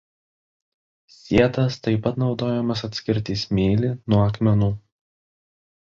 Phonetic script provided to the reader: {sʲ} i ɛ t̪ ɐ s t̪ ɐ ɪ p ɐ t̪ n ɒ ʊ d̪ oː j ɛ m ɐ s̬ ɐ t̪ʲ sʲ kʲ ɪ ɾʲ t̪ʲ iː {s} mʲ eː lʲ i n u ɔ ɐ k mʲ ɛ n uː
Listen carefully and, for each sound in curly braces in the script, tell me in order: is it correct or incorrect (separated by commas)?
correct, correct